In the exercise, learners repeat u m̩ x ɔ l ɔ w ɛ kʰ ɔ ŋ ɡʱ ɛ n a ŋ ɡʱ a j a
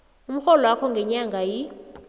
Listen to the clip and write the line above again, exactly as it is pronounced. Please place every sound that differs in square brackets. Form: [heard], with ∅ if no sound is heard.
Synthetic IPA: u m̩ x ɔ l ɔ w [a] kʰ ɔ ŋ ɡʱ ɛ [ɲ] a ŋ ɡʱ a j [i]